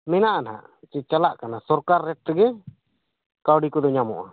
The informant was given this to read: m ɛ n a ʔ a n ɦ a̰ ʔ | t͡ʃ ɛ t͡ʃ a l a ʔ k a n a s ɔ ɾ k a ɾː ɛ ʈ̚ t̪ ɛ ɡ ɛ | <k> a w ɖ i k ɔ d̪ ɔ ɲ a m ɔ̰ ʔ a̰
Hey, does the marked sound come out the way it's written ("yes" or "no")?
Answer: yes